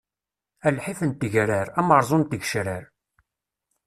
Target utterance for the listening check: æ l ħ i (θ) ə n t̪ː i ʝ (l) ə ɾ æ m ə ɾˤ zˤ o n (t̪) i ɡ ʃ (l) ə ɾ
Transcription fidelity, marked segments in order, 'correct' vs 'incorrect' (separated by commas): incorrect, incorrect, correct, incorrect